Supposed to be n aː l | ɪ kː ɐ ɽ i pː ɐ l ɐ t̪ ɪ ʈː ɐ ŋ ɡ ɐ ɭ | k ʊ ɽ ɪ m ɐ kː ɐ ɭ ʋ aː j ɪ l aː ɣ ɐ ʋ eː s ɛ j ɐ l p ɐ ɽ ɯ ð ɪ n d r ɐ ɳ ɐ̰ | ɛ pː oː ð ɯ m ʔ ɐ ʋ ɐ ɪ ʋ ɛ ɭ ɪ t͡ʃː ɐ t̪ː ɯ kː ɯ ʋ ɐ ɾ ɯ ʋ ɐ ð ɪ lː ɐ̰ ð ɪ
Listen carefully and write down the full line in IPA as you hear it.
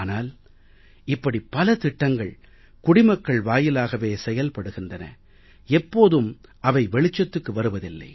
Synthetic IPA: n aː l | ɪ pː ɐ ɽ i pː ɐ l ɐ t̪ ɪ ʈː ɐ ŋ ɡ ɐ ɭ | k ʊ ɽ ɪ m ɐ kː ɐ ɭ ʋ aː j ɪ l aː ɣ ɐ ʋ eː s ɛ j ɐ l p ɐ ɽ ɯ ɣ ɪ n d r ɐ n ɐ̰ | ɛ pː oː ð ɯ m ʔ ɐ ʋ ɐ ɪ ʋ ɛ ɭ ɪ t͡ʃː ɐ t̪ː ɯ kː ɯ ʋ ɐ ɾ ɯ ʋ ɐ ð ɪ lː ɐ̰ ɪ